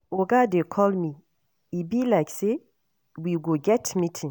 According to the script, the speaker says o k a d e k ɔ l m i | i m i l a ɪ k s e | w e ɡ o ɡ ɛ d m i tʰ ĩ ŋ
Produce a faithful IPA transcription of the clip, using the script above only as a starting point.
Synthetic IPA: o ɡ a d e kʰ ɔ l m i | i b i l a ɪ k s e | w i ɡ o ɡ ɛ t m i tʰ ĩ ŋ